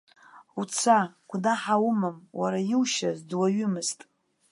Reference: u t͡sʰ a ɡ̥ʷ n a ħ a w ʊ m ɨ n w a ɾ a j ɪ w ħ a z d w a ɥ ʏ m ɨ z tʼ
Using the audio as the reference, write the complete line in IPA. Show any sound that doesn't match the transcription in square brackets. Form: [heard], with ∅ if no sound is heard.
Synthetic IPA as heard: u t͡sʰ a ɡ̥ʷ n a ħ a w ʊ m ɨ [m] w a ɾ a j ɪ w [ʃ] a z d w a ɥ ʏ m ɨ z tʼ